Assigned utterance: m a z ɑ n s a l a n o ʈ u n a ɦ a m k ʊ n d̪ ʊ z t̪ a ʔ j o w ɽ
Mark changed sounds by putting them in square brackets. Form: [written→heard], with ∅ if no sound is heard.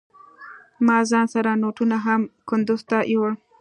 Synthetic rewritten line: m [a→ɑ] z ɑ n s a [l→ɾ] a n o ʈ u n a ɦ a m k ʊ n d̪ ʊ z t̪ a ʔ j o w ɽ